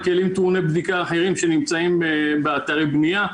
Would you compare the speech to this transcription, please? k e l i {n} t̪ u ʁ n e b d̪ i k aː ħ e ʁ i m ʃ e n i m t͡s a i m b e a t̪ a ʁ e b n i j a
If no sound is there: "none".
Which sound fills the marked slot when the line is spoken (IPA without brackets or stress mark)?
m